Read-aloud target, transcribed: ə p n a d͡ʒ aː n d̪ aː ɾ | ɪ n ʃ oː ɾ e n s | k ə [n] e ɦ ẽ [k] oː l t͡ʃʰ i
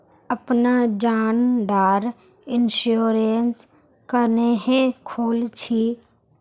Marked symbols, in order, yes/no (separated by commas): yes, no